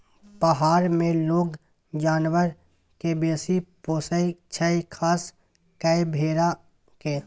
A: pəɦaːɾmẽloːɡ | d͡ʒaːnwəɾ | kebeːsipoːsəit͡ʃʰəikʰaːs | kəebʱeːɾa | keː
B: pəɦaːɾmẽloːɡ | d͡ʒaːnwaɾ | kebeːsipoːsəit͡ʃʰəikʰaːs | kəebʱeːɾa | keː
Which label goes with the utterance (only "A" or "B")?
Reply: A